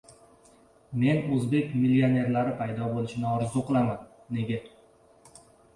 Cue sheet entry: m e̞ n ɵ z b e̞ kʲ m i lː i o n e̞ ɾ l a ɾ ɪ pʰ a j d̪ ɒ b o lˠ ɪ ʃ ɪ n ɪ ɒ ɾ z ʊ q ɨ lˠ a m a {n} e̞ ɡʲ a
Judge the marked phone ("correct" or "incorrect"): incorrect